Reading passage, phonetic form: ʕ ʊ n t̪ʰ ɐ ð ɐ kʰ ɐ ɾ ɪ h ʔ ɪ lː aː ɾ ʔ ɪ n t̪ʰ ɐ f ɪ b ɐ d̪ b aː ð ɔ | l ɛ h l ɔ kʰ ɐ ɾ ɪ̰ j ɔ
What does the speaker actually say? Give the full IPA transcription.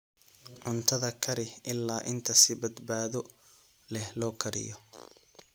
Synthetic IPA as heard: ʕ ʊ n t̪ʰ ɐ ð ɐ kʰ ɐ ɾ ɪ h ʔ ɪ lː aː ʔ ɪ n t̪ʰ ɐ s ɪ b ɐ d̪ b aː ð ɔ | l ɛ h l ɔː kʰ ɐ ɾ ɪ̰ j ɔ